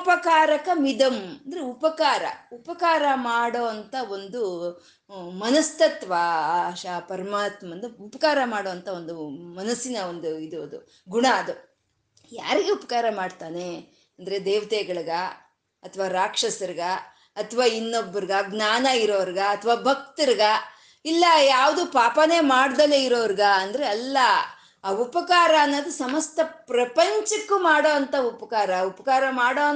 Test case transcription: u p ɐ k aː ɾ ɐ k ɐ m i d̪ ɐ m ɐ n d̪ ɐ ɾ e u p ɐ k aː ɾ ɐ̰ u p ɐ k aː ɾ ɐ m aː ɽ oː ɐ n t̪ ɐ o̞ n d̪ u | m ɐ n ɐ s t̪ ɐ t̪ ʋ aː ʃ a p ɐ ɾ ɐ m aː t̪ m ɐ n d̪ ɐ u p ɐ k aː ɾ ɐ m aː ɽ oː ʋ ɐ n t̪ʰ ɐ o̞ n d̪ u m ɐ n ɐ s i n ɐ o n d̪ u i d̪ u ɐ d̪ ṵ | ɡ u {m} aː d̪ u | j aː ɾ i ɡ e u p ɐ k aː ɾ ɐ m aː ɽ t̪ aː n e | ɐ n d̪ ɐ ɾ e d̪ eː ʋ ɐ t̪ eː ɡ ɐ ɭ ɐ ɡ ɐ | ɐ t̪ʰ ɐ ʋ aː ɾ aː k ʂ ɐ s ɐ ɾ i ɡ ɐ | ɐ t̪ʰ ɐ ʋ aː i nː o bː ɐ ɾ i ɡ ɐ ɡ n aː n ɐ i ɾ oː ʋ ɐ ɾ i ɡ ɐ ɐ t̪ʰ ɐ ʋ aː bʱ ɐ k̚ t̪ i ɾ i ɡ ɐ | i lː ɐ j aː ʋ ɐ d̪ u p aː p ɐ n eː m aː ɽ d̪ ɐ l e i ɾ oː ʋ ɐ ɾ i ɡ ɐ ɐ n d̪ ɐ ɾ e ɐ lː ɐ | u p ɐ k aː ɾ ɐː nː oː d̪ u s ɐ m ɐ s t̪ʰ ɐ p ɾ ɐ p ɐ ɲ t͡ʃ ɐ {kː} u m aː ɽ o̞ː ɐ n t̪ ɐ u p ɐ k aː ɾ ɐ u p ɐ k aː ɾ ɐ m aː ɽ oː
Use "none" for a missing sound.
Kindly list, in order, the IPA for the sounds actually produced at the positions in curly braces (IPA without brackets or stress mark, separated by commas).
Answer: ɳ, kː